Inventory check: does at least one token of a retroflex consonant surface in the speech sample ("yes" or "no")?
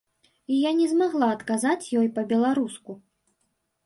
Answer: no